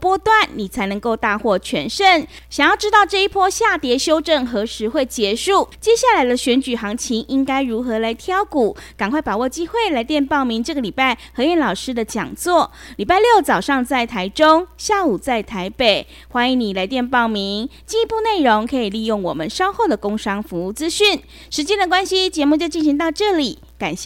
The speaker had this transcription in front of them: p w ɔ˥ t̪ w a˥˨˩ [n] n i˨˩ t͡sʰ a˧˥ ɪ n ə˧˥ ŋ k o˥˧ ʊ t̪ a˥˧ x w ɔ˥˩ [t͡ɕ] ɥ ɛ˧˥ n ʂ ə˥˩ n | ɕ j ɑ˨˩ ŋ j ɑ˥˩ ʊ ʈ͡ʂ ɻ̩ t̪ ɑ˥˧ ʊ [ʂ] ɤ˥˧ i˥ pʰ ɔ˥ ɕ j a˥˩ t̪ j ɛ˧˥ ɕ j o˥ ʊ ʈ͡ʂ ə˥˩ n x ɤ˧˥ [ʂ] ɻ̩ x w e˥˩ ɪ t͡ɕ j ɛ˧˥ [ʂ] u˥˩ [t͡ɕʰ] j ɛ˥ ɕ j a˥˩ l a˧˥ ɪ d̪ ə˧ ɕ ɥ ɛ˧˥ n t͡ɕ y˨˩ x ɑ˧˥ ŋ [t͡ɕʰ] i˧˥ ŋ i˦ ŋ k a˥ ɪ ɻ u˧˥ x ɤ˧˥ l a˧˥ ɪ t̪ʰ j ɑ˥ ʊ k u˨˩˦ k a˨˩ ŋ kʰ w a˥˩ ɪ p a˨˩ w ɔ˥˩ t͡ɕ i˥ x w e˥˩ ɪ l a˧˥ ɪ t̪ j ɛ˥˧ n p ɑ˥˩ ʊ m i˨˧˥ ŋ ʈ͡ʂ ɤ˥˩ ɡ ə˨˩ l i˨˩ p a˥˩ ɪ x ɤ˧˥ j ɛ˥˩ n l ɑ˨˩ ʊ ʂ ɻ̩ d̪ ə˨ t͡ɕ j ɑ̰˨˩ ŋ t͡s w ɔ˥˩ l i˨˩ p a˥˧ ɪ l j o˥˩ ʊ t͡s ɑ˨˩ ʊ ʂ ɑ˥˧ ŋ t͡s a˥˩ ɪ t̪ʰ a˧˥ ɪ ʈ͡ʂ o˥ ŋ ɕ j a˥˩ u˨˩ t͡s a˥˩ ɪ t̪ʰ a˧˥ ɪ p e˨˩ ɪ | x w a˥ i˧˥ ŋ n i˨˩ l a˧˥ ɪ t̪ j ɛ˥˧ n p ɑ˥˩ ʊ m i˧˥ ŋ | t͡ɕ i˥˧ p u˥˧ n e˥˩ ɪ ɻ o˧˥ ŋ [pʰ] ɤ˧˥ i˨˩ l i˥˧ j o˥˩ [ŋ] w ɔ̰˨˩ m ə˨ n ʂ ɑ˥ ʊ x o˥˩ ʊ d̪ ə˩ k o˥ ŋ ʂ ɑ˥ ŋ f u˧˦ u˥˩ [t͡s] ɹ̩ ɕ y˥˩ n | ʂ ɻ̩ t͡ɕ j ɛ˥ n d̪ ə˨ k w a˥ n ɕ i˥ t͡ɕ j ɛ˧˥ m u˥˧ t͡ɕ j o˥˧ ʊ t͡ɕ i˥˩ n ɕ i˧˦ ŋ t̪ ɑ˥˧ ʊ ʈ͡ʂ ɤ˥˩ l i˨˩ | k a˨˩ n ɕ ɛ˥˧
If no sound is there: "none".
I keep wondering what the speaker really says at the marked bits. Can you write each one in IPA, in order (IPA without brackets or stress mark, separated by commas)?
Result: n, t͡ɕʰ, ʈ͡ʂ, ʂ, ʂ, t͡ɕ, t͡ɕʰ, kʰ, ŋ, t͡s